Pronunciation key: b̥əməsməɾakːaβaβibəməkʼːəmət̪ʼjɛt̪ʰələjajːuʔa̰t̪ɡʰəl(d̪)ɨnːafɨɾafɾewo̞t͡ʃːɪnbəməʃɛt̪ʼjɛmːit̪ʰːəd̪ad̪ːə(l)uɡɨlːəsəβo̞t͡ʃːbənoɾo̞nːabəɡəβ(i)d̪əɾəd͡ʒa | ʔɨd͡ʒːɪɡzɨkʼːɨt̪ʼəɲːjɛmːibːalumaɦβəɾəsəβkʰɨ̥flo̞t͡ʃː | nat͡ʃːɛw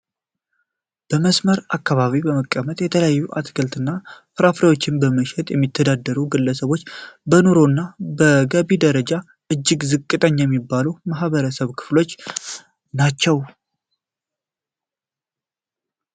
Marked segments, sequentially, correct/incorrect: incorrect: t̪, incorrect: ɾ, correct

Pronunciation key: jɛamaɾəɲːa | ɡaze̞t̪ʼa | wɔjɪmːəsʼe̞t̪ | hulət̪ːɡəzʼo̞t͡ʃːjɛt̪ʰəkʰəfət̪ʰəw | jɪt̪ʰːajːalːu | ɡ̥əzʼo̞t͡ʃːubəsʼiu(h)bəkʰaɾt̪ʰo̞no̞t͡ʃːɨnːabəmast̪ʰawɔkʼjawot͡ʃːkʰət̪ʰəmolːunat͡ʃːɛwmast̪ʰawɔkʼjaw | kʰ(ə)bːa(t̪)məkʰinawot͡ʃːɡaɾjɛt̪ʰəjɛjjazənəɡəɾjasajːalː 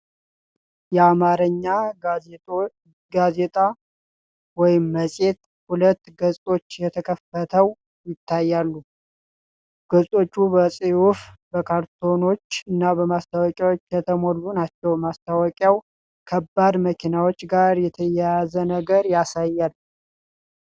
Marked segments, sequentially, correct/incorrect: incorrect: f, correct, incorrect: d̪

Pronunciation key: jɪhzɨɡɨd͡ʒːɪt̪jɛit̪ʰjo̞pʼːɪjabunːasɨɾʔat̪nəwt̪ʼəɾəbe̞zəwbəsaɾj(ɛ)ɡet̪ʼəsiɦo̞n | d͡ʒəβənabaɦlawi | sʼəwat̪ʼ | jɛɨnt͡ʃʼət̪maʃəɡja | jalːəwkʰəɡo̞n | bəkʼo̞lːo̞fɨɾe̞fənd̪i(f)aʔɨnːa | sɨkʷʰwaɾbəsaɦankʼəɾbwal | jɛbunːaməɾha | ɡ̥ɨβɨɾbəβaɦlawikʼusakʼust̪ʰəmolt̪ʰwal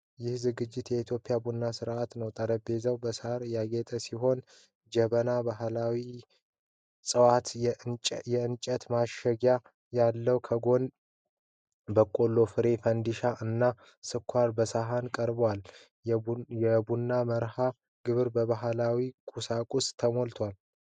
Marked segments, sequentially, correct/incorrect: incorrect: a, incorrect: ʃ

